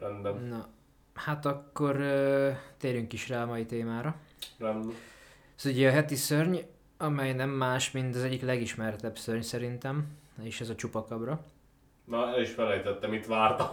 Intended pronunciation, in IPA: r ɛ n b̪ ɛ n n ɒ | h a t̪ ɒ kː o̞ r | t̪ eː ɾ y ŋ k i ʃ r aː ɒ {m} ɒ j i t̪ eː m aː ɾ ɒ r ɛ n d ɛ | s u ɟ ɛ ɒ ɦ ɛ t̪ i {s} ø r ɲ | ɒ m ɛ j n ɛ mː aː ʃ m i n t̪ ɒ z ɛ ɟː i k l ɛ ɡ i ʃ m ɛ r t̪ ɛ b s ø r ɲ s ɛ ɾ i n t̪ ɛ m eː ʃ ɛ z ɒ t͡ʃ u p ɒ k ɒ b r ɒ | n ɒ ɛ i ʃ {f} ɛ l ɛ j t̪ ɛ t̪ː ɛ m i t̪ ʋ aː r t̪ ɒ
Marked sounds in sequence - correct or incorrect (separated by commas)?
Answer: correct, correct, correct